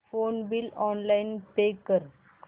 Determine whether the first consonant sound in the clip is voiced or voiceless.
voiceless